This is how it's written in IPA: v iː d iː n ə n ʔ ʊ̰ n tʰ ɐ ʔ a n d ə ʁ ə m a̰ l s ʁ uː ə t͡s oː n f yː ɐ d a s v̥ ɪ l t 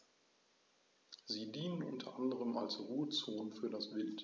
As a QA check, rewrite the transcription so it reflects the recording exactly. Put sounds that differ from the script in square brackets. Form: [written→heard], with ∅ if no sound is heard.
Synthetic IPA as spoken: [v→z] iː d iː n ə n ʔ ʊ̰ n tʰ ɐ ʔ a n d ə ʁ ə m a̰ l s ʁ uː ə t͡s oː n f yː ɐ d a s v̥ ɪ l t